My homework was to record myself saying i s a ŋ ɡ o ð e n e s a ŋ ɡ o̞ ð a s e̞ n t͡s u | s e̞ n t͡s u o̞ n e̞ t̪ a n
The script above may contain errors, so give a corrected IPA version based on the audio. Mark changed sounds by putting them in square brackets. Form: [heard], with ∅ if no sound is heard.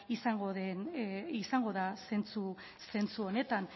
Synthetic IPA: i s a ŋ ɡ o ð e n [i] s a ŋ ɡ o̞ ð a s e̞ n t͡s u | s e̞ n t͡s u o̞ n e̞ t̪ a n

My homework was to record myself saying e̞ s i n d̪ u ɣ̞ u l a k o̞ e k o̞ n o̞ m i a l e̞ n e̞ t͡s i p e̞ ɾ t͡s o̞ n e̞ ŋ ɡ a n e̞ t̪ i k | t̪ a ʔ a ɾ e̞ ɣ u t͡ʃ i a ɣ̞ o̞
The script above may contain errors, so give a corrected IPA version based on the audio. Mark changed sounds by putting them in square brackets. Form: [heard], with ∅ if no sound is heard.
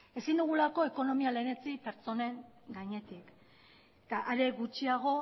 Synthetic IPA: e̞ s i n d̪ u ɣ̞ u l a k o̞ e k o̞ n o̞ m i a l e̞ n e̞ t͡s i p e̞ ɾ t͡s o̞ n e̞ ŋ ɡ a [ɲ] e̞ t̪ i k | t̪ a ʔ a ɾ e̞ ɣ u t͡ʃ i a ɣ̞ o̞

